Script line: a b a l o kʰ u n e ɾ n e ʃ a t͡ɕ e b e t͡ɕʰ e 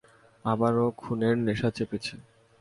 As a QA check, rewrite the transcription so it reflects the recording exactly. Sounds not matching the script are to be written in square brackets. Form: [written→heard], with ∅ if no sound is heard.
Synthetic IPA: a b a [l→ɾ] o kʰ u n e ɾ n e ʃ a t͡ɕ e [b→p] e t͡ɕʰ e